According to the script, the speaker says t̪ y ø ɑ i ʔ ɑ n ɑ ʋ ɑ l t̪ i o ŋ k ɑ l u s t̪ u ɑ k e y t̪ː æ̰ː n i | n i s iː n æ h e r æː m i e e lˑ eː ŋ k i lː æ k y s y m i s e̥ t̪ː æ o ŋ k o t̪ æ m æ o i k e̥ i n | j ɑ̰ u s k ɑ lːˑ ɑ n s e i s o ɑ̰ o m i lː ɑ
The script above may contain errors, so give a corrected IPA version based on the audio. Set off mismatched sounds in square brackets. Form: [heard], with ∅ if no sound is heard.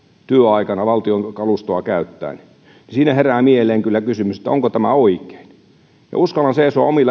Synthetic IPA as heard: t̪ y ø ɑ i [k] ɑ n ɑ ʋ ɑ l t̪ i o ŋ k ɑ l u s t̪ [o] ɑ k [æ] y t̪ː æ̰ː n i | n i s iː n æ h e r æː m i e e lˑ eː ŋ k [y] lː æ k y s y m [y] s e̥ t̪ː æ o ŋ k o t̪ æ m æ o i k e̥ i n | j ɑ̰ u s k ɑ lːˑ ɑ n s e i s o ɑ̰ o m i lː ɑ

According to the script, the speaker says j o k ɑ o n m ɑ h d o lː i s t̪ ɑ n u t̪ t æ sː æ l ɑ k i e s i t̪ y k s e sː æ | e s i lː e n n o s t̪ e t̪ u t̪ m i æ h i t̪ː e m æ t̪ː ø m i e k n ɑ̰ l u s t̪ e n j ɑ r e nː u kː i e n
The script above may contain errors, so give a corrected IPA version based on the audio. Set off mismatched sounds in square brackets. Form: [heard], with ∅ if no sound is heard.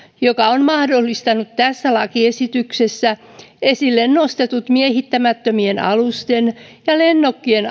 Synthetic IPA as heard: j o k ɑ o n m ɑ h d o lː i s t̪ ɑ n u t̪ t æ sː æ l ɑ k i e s i t̪ y k s e sː æ | e s i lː e n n o s t̪ e t̪ u t̪ m i [e] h i t̪ː [æ] m æ t̪ː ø m i e [∅] n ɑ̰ l u s t̪ e n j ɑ [l] e nː [o] kː i e n

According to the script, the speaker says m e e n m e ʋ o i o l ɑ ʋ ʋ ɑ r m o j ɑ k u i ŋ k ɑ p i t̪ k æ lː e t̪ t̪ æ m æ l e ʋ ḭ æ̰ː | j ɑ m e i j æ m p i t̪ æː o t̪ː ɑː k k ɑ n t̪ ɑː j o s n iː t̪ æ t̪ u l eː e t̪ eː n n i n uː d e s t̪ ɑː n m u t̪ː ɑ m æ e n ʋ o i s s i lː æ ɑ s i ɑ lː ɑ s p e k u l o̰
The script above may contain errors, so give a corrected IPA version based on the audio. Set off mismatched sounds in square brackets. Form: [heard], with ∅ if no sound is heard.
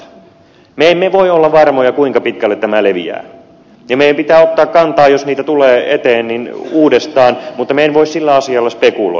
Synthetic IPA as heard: m e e [m] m e ʋ o i o [lː] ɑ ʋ ʋ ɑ r m o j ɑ k u i ŋ k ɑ p i t̪ k æ lː e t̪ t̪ æ m æ l e ʋ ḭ æ̰ː | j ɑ m e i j æ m p i t̪ æː o t̪ː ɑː k k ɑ n t̪ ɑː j o s n iː t̪ æ t̪ u l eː e t̪ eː n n i n uː d e s t̪ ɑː n m u t̪ː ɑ m [e] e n ʋ o i s s i lː æ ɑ s i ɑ lː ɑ s p e k u l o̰

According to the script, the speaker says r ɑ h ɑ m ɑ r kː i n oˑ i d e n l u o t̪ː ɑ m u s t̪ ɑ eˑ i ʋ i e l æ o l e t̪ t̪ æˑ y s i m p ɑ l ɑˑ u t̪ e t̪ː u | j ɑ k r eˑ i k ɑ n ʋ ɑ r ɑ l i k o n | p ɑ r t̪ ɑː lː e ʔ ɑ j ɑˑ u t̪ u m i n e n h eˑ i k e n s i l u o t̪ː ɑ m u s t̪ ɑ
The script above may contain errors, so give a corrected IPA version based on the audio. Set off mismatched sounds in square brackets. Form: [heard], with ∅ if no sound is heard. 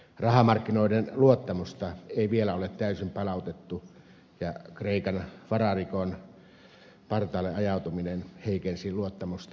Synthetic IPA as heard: r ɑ h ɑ m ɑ r kː i n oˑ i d e n l u o t̪ː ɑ m u s t̪ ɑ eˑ i ʋ i e l æ o l e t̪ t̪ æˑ y s i m p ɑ l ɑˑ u t̪ e t̪ː u | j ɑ k r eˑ i k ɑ n ʋ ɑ r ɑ [r] i k o n | p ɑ r t̪ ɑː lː e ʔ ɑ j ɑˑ u t̪ u m i n e n h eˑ i k e n s i l u o t̪ː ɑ m u s t̪ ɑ

